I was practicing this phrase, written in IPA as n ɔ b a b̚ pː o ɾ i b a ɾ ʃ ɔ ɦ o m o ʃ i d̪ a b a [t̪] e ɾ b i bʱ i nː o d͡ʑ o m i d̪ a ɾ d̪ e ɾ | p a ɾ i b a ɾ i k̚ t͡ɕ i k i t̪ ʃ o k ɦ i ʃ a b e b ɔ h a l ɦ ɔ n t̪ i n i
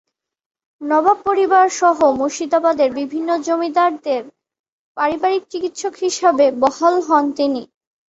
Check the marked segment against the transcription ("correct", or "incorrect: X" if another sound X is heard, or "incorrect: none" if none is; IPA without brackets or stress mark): incorrect: d̪